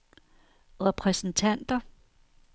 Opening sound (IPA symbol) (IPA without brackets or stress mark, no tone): ʁ